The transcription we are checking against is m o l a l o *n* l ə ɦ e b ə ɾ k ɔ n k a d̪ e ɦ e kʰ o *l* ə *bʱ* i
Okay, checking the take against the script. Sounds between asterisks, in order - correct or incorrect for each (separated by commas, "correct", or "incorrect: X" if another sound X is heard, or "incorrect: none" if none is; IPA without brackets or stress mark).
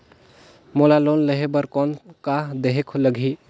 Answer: correct, correct, incorrect: ɡʱ